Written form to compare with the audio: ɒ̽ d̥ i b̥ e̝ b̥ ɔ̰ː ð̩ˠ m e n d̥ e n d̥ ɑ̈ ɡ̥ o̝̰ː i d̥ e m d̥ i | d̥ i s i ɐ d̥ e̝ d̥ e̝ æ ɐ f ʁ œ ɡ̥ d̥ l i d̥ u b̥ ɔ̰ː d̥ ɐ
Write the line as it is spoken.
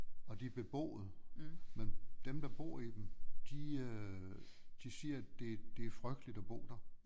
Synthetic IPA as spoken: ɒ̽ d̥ i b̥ e̝ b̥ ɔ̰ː ð̩ˠ m e n d̥ e m d̥ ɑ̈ b̥ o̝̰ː i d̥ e m d̥ i | d̥ i s i ɐ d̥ e̝ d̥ e̝ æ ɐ f ʁ œ ɡ̥ d̥ l i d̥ ɒ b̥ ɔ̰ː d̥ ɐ